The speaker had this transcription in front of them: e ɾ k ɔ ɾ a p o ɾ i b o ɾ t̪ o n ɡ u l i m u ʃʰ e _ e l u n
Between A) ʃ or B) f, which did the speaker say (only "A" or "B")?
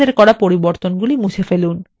B